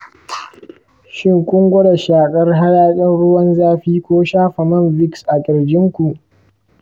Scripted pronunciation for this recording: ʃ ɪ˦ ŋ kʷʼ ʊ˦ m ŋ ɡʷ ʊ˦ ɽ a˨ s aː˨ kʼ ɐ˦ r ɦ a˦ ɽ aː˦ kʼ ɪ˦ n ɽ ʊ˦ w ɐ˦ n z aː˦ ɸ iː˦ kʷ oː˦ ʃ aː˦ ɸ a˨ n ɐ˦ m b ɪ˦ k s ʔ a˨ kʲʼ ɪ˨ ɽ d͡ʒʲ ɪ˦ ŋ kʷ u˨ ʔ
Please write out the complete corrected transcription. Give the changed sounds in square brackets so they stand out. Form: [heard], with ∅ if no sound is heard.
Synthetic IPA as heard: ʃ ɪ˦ ŋ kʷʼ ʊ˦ [∅] ŋ ɡʷ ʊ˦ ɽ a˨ [ʃ] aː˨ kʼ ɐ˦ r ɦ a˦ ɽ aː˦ kʼ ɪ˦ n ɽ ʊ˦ w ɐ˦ n z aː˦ ɸ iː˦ kʷ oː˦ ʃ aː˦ ɸ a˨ [m] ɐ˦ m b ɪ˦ k s ʔ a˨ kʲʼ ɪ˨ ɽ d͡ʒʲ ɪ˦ ŋ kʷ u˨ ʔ